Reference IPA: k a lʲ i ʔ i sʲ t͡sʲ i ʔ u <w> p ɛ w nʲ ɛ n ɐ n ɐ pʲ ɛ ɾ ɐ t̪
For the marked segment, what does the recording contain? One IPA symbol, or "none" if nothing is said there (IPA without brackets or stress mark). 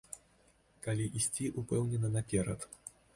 none